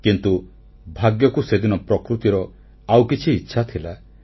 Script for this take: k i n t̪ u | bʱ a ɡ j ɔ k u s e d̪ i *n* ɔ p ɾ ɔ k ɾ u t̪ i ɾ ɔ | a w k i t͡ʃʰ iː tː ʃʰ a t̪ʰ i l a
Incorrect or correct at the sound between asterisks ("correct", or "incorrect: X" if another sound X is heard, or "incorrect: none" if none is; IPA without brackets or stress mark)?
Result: correct